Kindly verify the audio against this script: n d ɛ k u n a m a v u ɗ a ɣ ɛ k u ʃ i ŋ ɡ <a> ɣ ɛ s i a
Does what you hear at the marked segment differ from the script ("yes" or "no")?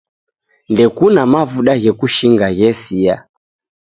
no